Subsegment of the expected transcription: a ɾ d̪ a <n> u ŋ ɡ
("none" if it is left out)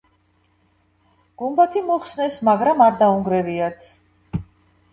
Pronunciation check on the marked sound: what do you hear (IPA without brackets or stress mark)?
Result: none